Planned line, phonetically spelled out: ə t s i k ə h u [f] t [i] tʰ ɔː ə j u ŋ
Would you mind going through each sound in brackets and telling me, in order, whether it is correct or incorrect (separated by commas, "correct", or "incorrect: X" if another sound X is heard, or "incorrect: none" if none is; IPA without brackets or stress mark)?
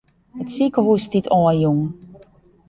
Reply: incorrect: s, correct